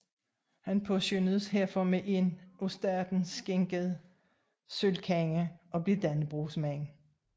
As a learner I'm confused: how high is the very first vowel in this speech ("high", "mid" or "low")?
low